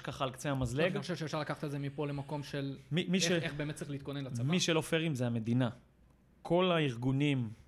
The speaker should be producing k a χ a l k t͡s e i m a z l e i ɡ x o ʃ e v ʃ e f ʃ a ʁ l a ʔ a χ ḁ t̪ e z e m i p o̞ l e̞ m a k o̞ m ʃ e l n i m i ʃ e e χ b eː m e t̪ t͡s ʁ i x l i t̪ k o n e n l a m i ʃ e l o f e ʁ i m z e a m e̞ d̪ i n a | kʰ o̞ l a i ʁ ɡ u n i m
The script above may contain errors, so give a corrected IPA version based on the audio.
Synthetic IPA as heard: k a χ a l k t͡s e a m a z l e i ɡ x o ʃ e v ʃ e f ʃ a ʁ l a k a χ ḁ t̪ e z e m i p o̞ l e̞ m a k o̞ m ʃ e l m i m i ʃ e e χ b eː m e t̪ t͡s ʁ i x l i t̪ k o n e n l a m i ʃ e l o f e ʁ i m z e a m e̞ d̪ i n a | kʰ o̞ l a i ʁ ɡ u n i m